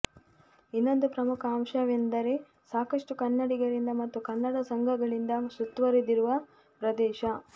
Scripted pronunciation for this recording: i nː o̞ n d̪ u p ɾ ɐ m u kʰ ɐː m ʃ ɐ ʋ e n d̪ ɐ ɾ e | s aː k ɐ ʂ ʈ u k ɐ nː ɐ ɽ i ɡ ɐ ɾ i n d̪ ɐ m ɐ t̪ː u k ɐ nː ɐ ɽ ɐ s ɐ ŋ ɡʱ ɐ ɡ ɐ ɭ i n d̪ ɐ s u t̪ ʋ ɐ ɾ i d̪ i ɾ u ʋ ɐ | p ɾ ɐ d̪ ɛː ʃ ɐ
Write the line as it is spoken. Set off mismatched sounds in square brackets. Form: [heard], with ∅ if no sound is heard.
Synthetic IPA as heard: i nː o̞ n d̪ u p ɾ ɐ m u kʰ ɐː m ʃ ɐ ʋ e n d̪ ɐ ɾ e | s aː k ɐ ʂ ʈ u k ɐ nː ɐ ɽ i ɡ ɐ ɾ i n d̪ ɐ m ɐ t̪ː u k ɐ nː ɐ ɽ ɐ s ɐ ŋ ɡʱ ɐ ɡ ɐ ɭ i n d̪ ɐ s u t̪ ʋ ɐ ɾ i d̪ i ɾ u ʋ ɐ | p ɾ ɐ d̪ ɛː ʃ ɐ